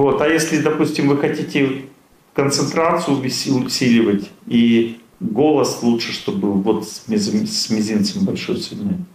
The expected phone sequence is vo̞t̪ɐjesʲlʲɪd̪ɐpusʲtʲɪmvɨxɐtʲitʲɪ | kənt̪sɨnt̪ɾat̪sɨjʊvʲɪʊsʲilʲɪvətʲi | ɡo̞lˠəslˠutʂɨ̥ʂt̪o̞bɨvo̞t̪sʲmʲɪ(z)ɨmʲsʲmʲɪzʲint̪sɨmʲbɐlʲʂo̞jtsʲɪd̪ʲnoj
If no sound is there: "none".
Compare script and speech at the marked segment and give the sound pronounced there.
z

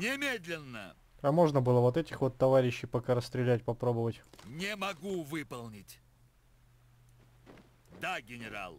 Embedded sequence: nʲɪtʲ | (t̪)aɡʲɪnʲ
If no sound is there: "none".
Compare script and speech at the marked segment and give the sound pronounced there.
d̪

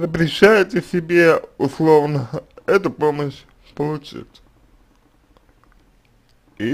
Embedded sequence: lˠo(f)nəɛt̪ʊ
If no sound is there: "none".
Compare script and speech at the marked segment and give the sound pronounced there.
v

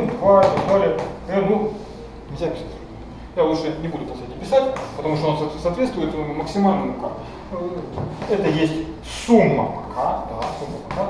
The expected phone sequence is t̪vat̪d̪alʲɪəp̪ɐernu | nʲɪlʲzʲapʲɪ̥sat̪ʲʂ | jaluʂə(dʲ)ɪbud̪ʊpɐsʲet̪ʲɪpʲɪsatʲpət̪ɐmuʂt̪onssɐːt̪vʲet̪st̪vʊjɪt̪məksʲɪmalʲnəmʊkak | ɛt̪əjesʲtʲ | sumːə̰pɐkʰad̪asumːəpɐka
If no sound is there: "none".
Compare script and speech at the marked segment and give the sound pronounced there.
nʲ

